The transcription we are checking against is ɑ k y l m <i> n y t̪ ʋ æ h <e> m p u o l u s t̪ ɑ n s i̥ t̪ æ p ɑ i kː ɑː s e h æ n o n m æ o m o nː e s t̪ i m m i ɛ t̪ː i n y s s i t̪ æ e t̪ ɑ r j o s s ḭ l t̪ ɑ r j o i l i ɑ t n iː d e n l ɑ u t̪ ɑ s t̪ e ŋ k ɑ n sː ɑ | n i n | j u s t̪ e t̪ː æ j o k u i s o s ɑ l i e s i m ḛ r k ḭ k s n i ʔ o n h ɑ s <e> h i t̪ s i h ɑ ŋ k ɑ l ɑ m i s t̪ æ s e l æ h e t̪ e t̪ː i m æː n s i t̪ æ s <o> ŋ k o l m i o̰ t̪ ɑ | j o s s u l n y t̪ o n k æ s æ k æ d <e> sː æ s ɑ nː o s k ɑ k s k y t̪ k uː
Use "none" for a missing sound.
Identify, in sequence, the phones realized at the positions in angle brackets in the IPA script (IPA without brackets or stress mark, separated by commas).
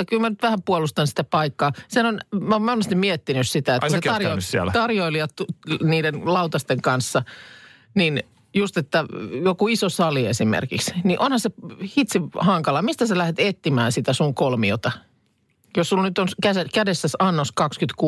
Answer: æ, æ, e, u, e